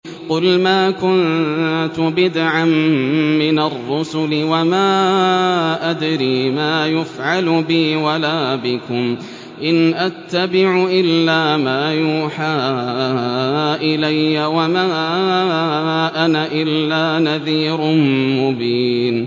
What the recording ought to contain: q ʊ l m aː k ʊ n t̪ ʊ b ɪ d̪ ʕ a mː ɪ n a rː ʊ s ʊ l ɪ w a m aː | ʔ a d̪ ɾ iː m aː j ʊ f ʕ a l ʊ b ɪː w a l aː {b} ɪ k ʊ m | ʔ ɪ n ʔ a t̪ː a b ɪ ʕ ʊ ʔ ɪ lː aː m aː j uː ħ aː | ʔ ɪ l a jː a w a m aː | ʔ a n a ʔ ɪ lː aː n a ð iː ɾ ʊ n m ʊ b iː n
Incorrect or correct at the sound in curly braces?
correct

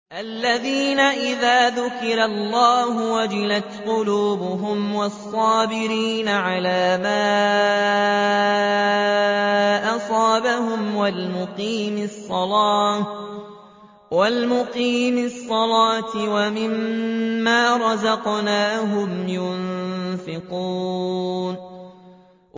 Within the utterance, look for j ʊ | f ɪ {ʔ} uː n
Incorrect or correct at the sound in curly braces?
incorrect: q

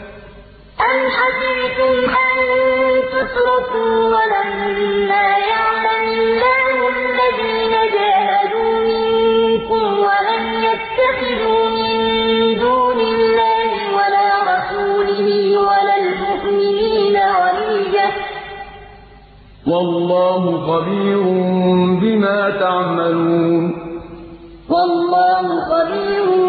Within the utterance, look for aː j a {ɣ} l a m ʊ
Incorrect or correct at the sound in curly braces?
incorrect: ʕ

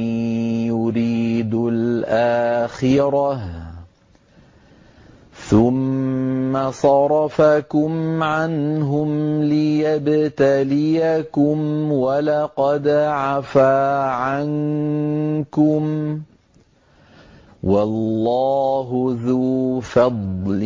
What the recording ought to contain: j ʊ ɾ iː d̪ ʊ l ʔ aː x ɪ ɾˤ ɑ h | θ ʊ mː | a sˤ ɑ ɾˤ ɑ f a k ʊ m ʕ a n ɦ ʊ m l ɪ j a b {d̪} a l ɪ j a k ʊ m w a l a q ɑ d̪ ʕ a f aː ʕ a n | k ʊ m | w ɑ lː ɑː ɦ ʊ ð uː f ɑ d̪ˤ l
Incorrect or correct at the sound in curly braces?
incorrect: t̪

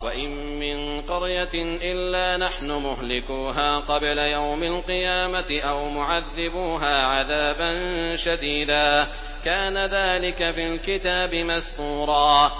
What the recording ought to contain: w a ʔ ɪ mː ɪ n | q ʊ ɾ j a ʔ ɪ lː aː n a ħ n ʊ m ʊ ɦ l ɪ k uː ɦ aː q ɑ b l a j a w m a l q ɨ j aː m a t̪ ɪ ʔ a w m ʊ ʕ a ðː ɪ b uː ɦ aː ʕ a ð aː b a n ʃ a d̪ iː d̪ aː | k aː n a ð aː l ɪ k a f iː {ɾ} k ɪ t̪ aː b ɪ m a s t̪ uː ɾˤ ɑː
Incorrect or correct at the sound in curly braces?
incorrect: l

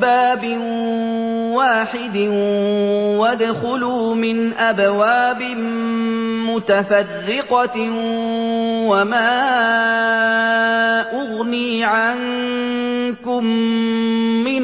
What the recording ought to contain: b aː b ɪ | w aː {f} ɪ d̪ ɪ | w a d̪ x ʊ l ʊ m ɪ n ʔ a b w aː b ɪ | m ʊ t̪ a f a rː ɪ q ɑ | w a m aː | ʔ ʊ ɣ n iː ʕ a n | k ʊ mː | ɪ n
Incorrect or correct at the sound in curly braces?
incorrect: ħ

